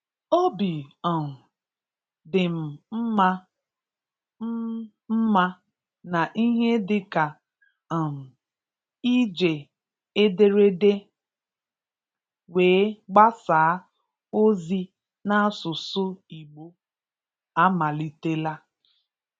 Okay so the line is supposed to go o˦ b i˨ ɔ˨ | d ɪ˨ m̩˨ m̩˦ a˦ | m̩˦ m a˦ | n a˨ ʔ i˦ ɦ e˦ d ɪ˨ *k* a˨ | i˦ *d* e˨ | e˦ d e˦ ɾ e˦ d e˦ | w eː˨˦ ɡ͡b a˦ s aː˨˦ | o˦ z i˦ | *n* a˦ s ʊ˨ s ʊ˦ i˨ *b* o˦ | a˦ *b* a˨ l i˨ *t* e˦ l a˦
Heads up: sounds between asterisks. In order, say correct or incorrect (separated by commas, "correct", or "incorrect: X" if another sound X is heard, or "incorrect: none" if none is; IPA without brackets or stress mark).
correct, incorrect: d͡ʒ, correct, incorrect: ɡ͡b, incorrect: m, correct